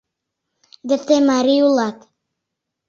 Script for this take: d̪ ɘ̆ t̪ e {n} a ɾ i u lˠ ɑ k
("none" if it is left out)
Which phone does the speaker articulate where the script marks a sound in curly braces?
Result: m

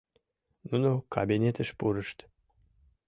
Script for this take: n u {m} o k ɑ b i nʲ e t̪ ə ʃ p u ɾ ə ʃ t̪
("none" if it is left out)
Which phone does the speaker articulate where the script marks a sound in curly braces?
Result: n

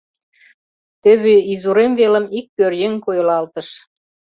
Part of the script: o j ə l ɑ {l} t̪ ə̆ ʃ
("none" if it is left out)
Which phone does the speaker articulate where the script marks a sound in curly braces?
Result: l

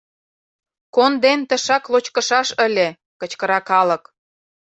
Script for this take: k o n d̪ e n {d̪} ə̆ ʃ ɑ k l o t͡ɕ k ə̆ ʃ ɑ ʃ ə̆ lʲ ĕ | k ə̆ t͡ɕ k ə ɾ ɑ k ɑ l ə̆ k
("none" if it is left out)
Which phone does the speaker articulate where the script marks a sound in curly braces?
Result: t̪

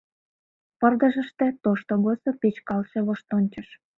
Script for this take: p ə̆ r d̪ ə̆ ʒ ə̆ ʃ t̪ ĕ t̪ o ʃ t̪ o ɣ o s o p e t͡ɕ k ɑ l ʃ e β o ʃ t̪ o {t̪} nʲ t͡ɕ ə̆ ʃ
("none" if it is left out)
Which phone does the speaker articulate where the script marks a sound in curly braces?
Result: none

